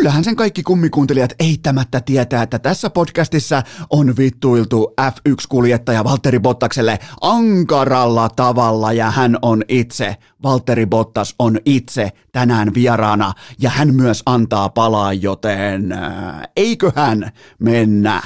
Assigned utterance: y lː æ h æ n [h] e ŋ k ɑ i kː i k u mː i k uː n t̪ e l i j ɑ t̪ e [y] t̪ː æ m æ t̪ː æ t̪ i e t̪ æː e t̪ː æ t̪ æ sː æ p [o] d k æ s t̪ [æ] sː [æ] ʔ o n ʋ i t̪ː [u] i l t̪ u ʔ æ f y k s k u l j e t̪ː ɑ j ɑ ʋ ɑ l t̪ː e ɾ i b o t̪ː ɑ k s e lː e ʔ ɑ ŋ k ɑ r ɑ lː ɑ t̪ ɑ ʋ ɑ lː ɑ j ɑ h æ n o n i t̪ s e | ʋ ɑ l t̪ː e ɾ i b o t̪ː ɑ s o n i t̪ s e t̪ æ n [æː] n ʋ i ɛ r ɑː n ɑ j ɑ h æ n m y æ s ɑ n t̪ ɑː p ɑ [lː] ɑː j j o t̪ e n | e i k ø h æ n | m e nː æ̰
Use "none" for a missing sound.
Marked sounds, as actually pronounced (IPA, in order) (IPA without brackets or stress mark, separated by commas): s, i, o, i, æ, u, æː, l